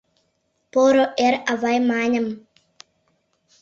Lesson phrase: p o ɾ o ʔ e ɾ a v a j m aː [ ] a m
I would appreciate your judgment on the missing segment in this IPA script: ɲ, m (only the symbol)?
ɲ